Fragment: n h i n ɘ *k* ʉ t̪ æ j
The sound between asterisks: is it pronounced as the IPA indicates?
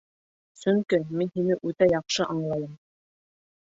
no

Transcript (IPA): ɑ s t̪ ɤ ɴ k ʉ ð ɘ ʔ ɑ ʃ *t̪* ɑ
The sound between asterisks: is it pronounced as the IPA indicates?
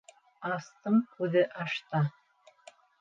yes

